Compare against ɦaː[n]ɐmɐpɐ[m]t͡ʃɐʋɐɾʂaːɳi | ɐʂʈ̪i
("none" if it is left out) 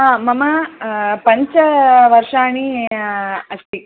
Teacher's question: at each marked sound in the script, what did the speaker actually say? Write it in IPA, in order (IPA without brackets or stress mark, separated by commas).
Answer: m, ɲ